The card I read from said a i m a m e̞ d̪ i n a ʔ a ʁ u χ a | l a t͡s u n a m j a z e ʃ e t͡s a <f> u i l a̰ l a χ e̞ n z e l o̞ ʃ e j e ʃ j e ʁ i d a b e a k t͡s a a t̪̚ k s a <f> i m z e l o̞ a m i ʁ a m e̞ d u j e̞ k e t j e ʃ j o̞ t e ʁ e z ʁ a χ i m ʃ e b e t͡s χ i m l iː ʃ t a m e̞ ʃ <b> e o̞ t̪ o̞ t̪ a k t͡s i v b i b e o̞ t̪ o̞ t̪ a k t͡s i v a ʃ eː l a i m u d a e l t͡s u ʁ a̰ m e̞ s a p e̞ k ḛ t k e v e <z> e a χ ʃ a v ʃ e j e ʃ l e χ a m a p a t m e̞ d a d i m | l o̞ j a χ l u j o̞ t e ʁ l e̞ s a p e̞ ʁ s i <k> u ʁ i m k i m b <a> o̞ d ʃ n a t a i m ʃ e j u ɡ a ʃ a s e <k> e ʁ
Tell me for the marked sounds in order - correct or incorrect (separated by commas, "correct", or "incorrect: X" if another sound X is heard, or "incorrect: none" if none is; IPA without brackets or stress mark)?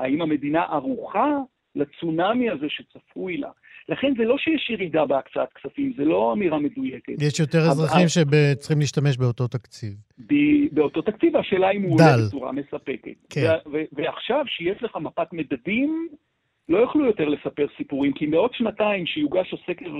correct, correct, correct, incorrect: v, incorrect: p, incorrect: e, correct